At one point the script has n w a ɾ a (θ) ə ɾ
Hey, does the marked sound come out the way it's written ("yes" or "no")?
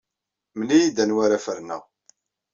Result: no